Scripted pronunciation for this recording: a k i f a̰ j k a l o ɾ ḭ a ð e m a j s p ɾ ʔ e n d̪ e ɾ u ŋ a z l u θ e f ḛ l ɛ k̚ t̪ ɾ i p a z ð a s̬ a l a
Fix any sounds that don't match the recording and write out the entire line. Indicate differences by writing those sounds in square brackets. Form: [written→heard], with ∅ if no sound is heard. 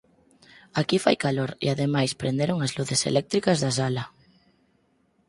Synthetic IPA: a k i f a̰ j k a l o ɾ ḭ a ð e m a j s p ɾ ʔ e n d̪ e ɾ [u→o] ŋ a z l u θ e [f→s] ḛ l ɛ k̚ t̪ ɾ i [p→k] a z ð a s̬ a l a